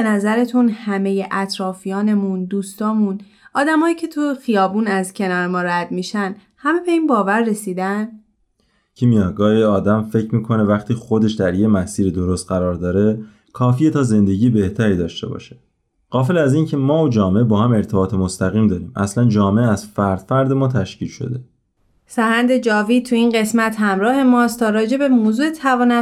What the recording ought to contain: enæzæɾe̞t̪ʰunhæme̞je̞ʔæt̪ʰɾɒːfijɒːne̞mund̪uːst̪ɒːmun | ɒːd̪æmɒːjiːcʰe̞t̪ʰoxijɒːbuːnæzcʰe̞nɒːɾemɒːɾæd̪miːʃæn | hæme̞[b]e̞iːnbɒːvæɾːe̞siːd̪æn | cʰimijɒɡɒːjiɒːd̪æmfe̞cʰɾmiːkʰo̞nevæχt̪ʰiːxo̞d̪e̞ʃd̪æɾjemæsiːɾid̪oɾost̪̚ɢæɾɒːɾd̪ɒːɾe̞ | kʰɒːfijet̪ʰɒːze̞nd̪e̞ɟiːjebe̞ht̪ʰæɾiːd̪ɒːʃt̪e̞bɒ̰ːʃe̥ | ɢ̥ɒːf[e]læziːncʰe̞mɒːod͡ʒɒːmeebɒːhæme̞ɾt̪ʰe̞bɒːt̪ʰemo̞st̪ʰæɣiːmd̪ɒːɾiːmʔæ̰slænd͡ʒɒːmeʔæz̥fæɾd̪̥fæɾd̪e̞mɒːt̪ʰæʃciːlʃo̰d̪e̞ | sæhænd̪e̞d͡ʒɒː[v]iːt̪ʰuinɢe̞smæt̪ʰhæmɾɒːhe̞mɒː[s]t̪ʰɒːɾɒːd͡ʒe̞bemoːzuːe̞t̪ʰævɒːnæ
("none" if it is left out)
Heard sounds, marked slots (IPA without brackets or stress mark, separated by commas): b, e, v, s